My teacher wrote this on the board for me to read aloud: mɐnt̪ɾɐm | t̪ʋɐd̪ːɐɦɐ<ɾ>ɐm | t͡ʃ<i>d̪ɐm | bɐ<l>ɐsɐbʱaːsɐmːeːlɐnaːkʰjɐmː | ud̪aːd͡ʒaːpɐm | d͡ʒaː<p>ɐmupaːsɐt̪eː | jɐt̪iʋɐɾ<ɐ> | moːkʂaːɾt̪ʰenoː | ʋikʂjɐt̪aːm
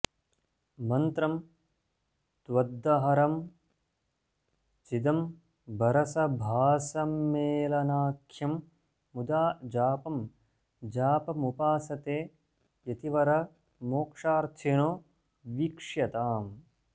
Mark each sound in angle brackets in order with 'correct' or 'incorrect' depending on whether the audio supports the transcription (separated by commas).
correct, correct, incorrect, correct, correct